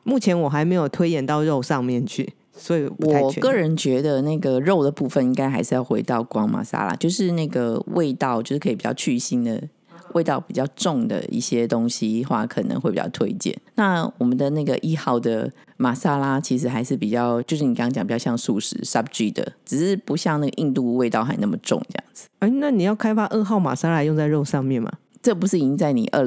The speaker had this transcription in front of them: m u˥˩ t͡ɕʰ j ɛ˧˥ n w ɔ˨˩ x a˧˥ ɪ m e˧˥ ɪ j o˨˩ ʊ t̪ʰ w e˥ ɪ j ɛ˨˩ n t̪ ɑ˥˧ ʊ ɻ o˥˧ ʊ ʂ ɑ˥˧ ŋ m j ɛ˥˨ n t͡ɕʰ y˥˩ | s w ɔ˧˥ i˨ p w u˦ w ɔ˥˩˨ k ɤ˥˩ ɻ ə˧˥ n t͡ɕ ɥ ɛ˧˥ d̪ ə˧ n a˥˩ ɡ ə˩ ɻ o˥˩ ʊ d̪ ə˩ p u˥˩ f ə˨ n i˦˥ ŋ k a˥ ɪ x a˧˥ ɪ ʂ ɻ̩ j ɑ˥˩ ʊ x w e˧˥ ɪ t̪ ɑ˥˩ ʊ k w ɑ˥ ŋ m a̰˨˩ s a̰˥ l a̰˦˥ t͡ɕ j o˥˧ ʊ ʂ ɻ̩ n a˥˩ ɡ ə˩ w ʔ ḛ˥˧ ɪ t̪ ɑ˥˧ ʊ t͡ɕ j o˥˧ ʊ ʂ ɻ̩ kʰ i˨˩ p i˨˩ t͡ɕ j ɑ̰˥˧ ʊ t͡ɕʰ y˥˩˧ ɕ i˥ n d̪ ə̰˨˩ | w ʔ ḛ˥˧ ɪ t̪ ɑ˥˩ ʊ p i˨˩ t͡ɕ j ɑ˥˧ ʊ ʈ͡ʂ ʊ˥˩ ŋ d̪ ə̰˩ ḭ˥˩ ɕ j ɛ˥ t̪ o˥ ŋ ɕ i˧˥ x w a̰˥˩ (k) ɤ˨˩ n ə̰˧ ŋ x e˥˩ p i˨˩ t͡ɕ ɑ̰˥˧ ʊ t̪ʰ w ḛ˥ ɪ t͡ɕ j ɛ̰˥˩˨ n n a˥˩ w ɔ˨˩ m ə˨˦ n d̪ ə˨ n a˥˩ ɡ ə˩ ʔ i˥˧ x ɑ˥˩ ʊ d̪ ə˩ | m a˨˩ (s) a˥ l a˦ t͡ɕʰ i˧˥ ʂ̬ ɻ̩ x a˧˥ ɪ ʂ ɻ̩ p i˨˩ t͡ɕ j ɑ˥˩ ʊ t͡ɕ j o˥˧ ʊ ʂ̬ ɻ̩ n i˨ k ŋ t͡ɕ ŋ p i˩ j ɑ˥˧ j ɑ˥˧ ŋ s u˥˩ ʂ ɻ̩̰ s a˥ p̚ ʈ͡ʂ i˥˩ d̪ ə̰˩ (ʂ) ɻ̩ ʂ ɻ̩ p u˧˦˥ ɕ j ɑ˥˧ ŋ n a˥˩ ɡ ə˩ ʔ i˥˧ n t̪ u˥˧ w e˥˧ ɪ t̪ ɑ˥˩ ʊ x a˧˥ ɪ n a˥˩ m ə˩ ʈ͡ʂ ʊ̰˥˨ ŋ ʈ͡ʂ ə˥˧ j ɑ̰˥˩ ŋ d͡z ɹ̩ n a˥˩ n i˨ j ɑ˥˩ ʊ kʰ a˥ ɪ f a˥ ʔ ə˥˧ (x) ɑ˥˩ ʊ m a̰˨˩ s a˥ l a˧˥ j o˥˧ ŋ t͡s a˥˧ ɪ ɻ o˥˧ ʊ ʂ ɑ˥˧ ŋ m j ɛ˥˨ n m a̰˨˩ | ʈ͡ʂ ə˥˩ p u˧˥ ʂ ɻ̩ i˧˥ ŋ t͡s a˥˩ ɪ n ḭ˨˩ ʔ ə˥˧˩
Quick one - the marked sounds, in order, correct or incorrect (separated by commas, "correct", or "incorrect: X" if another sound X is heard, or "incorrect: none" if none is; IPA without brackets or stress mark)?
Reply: incorrect: kʰ, correct, incorrect: ʈ͡ʂ, correct